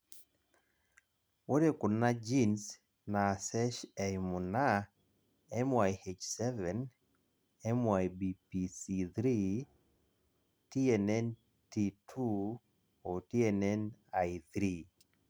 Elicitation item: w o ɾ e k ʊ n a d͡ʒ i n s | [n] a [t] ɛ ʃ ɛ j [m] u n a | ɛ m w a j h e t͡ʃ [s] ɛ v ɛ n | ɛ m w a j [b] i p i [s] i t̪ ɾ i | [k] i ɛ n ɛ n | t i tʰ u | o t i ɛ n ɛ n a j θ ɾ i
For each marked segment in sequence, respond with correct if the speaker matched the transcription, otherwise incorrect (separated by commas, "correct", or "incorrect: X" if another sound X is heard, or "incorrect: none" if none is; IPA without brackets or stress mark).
correct, incorrect: s, correct, correct, correct, correct, incorrect: t